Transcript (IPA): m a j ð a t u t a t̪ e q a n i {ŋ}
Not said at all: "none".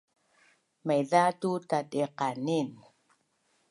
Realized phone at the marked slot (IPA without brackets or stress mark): n